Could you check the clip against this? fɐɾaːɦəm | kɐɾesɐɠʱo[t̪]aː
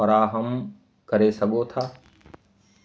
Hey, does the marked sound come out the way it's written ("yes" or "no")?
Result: no